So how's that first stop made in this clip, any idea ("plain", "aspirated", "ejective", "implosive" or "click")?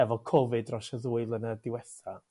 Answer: aspirated